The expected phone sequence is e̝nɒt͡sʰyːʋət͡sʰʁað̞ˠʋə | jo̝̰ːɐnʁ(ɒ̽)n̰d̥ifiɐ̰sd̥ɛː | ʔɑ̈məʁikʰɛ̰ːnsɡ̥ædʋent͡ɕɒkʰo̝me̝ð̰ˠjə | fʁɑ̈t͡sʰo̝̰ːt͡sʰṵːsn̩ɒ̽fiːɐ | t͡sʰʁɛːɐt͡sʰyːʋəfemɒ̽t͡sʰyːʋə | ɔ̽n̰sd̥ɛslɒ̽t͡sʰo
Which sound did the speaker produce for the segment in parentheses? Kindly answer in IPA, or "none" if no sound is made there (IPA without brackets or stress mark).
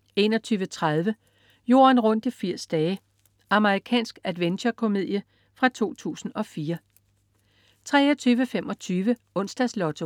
ɔ̽